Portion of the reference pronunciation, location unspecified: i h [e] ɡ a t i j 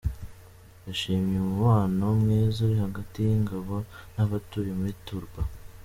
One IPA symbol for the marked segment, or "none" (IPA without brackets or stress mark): a